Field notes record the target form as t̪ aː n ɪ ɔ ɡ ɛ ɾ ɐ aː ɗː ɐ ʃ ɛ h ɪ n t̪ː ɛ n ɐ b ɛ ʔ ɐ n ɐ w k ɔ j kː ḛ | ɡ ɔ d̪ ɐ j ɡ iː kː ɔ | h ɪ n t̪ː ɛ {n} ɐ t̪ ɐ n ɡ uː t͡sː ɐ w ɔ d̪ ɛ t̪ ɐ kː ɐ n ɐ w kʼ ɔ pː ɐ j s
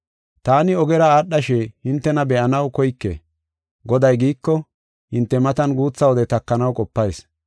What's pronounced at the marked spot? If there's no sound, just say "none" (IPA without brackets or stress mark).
m